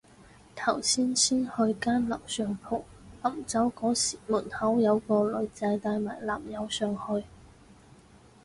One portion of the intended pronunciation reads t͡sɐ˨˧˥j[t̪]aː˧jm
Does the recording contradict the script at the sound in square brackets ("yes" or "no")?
no